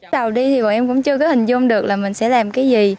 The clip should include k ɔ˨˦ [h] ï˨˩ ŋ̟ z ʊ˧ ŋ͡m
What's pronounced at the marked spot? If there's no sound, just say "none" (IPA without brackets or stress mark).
h